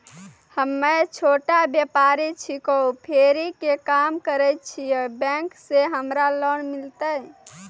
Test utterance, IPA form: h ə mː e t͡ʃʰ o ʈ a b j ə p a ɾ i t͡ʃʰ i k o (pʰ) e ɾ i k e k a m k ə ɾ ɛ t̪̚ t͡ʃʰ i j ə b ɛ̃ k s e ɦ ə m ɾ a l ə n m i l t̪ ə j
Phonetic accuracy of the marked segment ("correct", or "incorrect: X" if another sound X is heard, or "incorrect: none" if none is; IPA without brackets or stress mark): correct